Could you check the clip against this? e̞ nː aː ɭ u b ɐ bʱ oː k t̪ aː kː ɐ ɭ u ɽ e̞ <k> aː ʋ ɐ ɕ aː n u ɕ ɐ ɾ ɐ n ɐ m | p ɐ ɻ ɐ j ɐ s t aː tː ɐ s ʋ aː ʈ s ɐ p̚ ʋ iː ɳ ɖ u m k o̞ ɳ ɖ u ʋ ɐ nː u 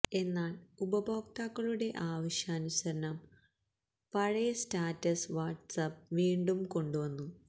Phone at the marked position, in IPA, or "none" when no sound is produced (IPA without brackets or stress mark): ʔ